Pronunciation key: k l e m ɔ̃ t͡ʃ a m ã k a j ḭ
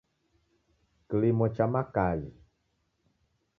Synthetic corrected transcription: k l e m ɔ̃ t͡ʃ a m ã k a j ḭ